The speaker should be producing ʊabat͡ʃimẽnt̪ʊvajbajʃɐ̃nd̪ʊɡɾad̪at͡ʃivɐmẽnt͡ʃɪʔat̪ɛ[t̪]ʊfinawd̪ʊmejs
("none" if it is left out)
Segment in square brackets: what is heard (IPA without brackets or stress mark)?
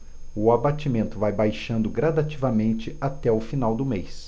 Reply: none